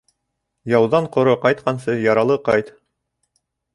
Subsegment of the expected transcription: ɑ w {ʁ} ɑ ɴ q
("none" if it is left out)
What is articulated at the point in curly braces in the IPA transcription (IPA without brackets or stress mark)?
ð